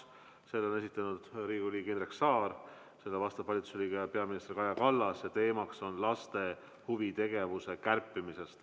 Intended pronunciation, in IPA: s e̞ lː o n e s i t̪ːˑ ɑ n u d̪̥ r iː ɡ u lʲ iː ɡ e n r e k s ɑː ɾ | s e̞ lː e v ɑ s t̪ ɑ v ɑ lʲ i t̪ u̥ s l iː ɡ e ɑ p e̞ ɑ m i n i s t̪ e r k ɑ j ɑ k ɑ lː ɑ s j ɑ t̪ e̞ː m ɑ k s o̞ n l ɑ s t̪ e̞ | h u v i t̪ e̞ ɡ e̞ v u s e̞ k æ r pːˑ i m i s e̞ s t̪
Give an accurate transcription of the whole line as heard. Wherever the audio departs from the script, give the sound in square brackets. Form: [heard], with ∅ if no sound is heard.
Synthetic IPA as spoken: s e̞ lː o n e s i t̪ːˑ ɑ n u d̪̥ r iː ɡ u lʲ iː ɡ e n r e k s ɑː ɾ | s e̞ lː e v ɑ s t̪ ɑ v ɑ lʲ i t̪ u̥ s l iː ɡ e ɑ p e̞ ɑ m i n i s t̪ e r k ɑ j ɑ k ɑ lː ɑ s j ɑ t̪ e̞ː m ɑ k s o̞ n l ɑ s t̪ e̞ | h u v i t̪ e̞ ɡ e̞ v u s e̞ k æ r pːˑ i m i s e̞ s t̪